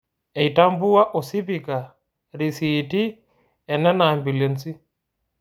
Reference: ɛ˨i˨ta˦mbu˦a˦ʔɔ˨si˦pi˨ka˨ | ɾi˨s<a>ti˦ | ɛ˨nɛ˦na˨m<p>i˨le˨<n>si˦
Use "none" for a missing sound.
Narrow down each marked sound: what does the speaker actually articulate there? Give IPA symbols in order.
i, b, n

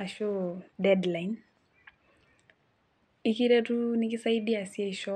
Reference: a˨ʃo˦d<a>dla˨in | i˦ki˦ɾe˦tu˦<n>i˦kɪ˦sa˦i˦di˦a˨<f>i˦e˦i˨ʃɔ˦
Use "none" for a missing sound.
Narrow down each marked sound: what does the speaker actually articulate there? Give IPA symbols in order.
ɛ, n, s

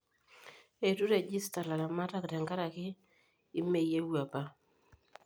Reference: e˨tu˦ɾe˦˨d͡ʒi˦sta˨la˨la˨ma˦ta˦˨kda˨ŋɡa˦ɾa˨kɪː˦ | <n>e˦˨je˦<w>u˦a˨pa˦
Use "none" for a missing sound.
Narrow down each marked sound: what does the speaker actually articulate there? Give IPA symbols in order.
m, w

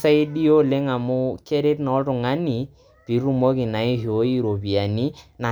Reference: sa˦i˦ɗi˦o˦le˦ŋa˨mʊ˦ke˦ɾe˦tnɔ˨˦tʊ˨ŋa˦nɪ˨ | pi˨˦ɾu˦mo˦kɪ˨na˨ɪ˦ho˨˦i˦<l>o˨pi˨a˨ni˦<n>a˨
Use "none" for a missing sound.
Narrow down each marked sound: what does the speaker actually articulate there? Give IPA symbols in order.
ɾ, n

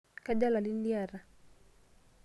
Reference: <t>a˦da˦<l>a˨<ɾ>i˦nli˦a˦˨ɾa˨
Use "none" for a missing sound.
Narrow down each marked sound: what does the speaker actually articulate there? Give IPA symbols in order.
k, l, l

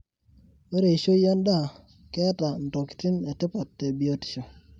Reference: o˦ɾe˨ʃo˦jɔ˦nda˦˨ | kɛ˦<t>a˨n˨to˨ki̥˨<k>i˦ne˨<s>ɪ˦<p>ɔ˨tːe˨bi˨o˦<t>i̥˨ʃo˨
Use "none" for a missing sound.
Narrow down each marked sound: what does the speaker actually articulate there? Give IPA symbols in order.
t, t, t, p, t

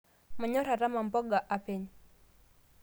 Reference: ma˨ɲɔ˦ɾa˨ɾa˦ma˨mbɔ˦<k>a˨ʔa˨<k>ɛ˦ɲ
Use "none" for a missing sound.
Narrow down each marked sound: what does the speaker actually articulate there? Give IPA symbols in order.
ɡ, p

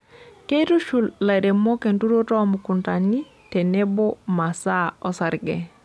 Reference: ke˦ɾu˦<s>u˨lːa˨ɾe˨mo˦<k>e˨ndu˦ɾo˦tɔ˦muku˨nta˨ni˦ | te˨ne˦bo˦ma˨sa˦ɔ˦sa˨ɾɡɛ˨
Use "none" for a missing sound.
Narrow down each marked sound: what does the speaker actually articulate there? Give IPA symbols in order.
ʃ, k

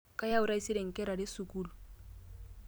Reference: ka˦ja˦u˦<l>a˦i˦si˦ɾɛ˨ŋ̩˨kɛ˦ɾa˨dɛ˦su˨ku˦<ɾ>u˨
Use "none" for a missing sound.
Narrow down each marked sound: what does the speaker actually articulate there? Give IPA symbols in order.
ɾ, l

